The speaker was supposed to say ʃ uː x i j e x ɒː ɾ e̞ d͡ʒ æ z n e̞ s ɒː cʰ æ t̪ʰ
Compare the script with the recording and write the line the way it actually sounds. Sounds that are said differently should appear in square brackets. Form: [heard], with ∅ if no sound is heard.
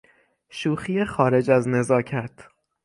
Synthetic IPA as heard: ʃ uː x i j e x ɒː ɾ e̞ d͡ʒ æ z n e̞ [z] ɒː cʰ æ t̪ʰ